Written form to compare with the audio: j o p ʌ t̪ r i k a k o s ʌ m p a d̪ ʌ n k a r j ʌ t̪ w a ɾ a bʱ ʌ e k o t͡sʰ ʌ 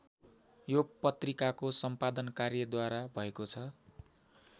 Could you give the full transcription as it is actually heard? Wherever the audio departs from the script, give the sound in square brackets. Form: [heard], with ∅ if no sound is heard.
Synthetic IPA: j o p ʌ t̪ r i k a k o s ʌ m p a d̪ ʌ n k a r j ʌ [d̪] w a ɾ a bʱ ʌ e k o t͡sʰ ʌ